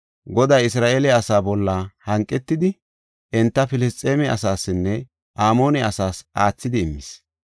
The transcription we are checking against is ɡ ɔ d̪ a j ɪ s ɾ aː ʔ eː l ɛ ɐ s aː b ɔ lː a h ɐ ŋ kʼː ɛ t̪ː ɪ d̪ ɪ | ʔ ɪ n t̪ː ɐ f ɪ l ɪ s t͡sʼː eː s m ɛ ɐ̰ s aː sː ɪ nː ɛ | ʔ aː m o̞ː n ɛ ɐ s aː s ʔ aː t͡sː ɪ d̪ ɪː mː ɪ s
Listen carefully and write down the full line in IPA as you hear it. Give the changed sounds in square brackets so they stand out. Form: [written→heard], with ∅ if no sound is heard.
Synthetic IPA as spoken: ɡ ɔ d̪ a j ɪ s ɾ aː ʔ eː l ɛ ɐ s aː b ɔ lː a h ɐ ŋ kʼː ɛ t̪ː ɪ d̪ ɪ | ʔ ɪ n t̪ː ɐ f ɪ l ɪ s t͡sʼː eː [s→∅] m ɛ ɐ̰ s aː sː ɪ nː ɛ | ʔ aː m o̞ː n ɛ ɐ s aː s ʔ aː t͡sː ɪ d̪ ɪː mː ɪ s